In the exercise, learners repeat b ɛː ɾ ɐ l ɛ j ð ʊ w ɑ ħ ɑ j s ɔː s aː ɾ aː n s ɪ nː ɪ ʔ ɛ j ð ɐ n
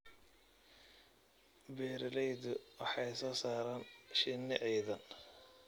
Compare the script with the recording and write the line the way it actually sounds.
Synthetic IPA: b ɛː ɾ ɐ l ɛ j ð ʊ w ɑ ħ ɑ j s ɔː s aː ɾ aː n ʃ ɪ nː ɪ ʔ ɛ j ð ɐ n